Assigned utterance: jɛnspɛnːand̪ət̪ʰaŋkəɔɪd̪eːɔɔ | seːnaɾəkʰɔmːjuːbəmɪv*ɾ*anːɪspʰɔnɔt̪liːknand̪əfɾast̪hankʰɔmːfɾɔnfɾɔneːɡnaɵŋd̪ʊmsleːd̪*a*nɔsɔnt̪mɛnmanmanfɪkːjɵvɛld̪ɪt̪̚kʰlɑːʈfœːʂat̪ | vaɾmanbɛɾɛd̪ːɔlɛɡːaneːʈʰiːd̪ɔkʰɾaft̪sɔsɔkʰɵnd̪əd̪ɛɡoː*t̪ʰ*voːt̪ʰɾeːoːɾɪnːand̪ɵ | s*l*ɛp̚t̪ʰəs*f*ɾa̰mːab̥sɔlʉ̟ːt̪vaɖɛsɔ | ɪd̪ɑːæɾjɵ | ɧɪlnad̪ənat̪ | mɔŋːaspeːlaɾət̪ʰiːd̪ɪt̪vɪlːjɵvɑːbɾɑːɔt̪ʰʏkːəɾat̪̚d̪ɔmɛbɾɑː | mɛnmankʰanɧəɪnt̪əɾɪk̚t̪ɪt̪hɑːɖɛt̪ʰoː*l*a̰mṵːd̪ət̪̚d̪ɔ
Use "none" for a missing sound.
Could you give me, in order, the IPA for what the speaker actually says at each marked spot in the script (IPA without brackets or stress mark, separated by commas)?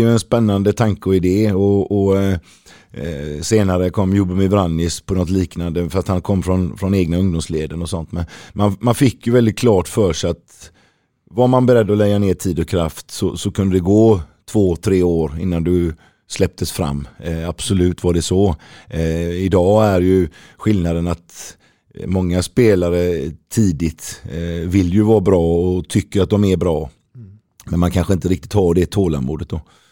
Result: ɾ, ə, t̪ʰ, l, f, l